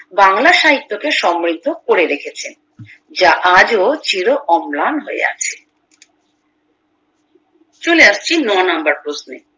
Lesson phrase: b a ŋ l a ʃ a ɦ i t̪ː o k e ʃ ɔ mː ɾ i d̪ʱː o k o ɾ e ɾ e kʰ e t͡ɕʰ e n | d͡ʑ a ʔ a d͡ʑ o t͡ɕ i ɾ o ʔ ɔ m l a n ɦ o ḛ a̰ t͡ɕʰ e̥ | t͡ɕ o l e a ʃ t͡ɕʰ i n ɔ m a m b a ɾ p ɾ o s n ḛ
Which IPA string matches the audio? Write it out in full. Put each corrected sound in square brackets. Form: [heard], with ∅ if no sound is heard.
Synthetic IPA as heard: b a ŋ l a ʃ a ɦ i t̪ː o k e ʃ ɔ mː ɾ i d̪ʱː o k o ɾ e ɾ e kʰ e t͡ɕʰ e n | d͡ʑ a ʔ a d͡ʑ o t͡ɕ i ɾ o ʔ ɔ m l a n ɦ o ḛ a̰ t͡ɕʰ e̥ | t͡ɕ o l e a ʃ t͡ɕʰ i n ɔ [n] a m b a ɾ p ɾ o s n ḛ